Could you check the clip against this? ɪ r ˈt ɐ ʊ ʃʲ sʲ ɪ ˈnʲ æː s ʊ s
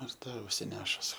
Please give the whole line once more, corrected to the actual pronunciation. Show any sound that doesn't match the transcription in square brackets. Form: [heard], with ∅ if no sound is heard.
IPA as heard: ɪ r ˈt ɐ ʊ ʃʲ sʲ ɪ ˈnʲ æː [ʃ] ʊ s